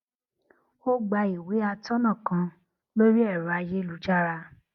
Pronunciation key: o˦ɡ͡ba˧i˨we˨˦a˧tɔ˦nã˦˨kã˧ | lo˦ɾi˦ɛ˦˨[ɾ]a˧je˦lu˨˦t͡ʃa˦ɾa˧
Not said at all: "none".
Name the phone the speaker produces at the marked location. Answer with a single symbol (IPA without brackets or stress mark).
ɾ